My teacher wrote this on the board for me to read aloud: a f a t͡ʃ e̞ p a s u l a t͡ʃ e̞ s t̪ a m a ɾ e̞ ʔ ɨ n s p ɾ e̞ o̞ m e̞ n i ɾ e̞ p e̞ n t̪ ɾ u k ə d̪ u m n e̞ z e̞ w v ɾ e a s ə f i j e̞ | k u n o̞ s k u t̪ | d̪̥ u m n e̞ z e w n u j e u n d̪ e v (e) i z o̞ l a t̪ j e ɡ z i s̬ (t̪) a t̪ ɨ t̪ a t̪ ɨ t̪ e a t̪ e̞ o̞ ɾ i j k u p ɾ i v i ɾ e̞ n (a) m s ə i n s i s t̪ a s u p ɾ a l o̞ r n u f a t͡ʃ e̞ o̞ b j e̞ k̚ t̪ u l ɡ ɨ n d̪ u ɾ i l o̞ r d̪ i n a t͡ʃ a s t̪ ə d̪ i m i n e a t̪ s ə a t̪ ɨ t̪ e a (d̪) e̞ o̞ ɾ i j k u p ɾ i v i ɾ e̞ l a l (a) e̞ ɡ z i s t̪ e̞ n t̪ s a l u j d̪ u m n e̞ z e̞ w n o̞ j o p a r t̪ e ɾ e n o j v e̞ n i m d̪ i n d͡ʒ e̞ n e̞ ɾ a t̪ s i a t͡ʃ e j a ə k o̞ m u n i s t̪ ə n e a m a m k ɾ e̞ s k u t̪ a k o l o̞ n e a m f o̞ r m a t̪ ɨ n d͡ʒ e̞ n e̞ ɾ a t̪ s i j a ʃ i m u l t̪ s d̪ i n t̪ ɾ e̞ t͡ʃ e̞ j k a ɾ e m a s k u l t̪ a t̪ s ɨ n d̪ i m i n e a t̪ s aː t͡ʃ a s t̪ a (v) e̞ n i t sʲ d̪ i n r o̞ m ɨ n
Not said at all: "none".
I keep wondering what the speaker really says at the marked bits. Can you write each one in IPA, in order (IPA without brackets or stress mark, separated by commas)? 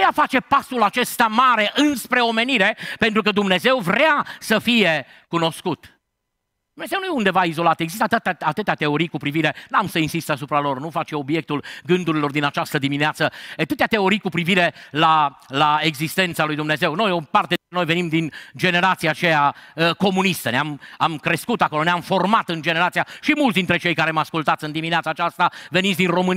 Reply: a, t̪, a, t̪, a, v